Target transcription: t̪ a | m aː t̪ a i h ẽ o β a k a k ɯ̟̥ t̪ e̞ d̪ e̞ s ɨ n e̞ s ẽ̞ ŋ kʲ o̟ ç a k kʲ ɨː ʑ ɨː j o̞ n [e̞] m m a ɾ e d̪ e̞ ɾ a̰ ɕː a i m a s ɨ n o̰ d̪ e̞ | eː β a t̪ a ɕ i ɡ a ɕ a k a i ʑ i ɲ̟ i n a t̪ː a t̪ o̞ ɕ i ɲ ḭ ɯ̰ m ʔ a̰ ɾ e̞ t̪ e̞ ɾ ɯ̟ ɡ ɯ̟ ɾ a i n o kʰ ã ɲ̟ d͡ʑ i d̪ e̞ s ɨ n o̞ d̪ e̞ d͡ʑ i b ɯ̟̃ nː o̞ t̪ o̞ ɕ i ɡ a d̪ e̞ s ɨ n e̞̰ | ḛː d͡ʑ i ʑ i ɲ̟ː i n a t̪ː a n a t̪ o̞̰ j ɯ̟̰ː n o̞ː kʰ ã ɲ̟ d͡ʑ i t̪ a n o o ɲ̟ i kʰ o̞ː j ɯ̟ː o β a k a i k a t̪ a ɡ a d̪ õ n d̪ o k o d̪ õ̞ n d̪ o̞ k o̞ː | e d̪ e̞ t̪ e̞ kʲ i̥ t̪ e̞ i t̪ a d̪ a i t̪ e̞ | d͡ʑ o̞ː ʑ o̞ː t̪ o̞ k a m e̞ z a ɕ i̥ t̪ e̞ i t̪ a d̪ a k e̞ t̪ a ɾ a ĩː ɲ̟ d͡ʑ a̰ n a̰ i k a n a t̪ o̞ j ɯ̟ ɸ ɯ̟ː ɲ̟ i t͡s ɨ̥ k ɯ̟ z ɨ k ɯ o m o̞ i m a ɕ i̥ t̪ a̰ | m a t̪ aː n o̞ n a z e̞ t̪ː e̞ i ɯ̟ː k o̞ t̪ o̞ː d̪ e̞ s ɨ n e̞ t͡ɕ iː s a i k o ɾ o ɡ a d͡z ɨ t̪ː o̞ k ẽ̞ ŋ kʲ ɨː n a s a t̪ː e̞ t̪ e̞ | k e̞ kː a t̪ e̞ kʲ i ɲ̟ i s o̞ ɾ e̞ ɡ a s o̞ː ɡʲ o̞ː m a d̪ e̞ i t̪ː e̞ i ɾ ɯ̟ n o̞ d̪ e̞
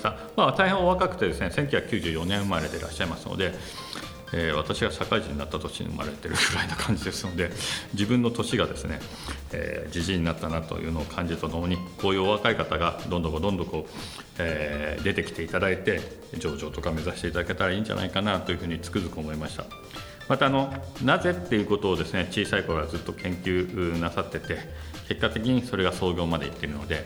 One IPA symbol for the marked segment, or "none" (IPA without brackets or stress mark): ẽ̞